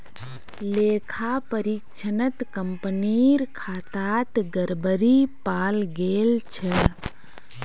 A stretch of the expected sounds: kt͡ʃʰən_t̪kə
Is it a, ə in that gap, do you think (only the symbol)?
ə